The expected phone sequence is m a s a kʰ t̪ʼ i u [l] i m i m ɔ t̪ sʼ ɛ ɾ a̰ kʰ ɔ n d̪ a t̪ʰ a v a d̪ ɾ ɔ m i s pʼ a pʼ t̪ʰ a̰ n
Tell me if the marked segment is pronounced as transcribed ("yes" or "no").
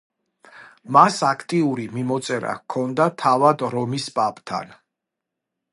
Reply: no